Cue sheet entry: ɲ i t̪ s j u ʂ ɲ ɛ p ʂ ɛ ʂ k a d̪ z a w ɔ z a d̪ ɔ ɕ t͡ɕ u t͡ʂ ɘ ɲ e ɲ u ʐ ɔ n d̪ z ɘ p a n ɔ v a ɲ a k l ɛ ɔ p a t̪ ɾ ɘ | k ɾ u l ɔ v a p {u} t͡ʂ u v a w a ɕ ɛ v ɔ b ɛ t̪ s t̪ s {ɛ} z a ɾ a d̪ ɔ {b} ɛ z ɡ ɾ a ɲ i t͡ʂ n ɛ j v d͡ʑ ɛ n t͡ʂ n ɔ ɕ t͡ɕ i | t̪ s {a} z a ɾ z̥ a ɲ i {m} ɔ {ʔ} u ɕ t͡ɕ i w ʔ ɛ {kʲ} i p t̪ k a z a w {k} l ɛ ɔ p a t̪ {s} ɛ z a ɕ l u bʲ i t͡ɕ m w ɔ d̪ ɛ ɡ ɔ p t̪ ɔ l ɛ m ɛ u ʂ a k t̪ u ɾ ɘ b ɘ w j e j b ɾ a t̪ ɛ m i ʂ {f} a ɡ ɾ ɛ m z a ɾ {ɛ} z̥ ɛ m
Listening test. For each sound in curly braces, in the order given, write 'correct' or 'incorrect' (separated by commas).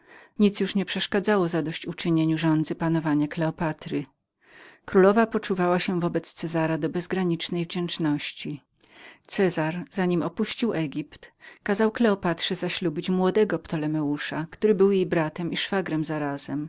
incorrect, correct, correct, incorrect, correct, incorrect, incorrect, correct, incorrect, correct, incorrect